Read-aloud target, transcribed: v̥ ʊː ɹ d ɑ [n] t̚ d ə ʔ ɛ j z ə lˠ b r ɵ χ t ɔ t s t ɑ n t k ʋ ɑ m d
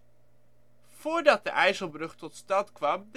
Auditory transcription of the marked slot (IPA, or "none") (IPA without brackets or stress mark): none